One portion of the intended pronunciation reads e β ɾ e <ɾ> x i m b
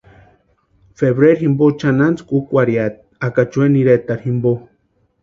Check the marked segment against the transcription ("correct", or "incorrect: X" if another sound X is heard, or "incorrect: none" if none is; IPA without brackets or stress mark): correct